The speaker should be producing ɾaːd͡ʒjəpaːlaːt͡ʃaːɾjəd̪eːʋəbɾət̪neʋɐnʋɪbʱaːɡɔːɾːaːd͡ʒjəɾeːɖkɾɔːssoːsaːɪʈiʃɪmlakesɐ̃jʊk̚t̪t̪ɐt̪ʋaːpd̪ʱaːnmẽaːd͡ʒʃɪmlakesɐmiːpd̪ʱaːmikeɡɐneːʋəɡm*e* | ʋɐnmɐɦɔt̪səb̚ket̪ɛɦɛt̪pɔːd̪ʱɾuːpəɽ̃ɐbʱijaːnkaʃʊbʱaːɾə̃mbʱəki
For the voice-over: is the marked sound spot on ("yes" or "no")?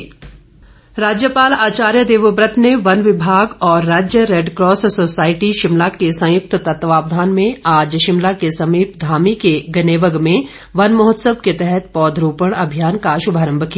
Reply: no